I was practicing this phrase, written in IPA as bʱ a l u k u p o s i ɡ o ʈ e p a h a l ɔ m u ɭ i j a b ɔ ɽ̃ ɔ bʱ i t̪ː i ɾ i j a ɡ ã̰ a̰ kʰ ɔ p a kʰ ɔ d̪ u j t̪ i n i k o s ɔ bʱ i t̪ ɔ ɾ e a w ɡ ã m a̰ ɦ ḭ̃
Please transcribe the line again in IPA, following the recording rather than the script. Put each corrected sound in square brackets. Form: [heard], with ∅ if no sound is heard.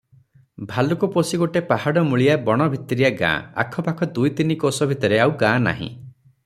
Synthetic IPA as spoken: bʱ a l u k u p o s i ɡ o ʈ e p a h a [ɽ] ɔ m u ɭ i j a b ɔ ɽ̃ ɔ bʱ i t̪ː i ɾ i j a ɡ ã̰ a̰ kʰ ɔ p a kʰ ɔ d̪ u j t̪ i n i k o s ɔ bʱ i t̪ ɔ ɾ e a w ɡ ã [n] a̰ ɦ ḭ̃